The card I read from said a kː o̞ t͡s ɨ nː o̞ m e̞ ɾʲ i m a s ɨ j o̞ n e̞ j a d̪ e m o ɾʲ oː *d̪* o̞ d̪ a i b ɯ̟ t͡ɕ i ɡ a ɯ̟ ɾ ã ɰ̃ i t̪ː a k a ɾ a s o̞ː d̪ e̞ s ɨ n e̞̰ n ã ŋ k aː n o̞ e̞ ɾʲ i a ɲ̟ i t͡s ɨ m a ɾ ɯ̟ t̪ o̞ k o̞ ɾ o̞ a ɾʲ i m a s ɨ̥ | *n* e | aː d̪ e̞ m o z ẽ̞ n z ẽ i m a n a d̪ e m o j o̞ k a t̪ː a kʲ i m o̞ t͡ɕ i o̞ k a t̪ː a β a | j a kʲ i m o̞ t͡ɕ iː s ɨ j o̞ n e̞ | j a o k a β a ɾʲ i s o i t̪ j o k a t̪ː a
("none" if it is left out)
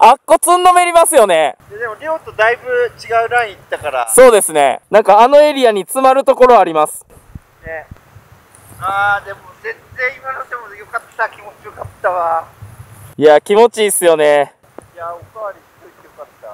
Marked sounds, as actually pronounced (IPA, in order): t̪, n

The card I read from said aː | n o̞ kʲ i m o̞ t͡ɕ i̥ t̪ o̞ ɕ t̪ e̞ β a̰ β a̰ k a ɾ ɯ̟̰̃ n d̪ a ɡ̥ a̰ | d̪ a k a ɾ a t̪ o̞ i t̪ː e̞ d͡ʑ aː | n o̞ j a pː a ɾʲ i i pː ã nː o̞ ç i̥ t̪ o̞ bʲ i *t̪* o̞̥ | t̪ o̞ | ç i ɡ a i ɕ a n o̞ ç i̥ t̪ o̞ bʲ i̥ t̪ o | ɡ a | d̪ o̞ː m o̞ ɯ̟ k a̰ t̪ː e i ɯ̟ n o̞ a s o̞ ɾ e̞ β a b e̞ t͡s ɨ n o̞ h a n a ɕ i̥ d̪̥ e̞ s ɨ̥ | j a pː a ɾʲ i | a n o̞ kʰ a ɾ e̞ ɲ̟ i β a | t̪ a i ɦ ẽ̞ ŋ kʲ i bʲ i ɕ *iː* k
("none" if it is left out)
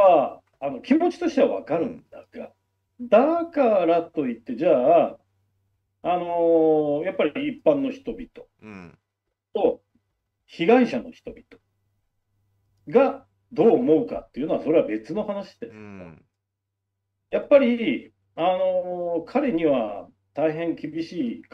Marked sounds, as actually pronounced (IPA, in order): t̪, iː

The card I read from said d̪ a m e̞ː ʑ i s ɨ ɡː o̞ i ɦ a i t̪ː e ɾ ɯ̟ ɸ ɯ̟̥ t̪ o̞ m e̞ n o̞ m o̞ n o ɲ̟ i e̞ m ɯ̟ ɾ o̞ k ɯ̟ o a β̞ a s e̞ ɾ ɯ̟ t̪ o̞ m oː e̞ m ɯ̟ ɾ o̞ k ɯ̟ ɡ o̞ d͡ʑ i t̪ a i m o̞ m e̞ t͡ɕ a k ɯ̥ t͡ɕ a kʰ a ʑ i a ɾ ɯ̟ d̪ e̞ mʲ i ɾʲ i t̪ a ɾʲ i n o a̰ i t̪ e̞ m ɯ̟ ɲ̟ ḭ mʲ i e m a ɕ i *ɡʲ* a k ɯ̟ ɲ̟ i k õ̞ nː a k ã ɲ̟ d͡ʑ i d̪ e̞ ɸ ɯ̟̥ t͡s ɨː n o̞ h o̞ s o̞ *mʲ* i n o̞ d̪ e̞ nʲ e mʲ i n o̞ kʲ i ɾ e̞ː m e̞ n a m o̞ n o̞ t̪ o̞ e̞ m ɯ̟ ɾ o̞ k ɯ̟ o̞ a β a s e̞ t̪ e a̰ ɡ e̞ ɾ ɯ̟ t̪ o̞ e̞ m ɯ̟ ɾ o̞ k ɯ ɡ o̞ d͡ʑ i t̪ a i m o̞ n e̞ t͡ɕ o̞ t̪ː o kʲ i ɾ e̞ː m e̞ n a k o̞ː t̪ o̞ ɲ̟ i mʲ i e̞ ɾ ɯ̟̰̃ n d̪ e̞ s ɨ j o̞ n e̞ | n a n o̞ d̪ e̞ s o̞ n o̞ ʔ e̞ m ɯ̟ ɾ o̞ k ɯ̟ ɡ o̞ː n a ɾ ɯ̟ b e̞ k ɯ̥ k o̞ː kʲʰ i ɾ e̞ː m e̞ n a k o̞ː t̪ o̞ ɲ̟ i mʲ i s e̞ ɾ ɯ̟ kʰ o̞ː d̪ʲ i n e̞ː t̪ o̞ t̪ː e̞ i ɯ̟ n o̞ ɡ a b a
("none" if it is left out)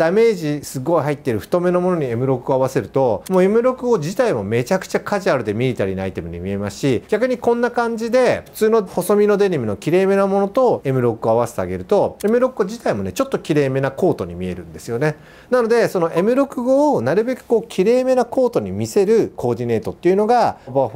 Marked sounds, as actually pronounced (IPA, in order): ɡʲ, mʲ

